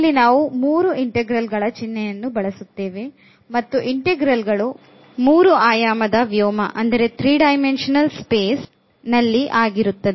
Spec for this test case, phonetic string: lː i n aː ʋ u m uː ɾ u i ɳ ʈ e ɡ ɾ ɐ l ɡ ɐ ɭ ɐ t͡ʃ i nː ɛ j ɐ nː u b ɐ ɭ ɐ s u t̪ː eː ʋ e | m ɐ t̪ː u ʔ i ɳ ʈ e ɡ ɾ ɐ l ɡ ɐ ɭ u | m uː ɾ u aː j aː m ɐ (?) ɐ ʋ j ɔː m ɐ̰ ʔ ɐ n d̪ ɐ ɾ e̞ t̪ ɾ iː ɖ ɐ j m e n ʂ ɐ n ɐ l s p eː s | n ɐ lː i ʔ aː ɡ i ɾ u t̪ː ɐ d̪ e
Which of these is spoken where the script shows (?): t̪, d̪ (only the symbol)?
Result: d̪